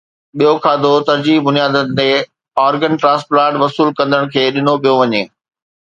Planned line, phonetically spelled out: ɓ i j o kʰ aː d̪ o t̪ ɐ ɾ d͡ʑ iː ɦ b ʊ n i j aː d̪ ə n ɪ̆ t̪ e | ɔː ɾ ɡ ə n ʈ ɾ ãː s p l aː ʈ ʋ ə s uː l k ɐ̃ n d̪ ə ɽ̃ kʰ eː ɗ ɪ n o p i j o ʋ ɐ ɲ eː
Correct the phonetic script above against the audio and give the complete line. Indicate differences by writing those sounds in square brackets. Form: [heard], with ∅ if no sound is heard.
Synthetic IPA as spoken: ɓ i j o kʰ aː d̪ o t̪ ɐ ɾ d͡ʑ iː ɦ b ʊ n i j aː d̪ ə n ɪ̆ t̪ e | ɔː ɾ ɡ ə n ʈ ɾ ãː s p l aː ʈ ʋ [ɐ] s uː l k ɐ̃ n d̪ ə ɽ̃ kʰ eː ɗ ɪ n o p i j o ʋ ɐ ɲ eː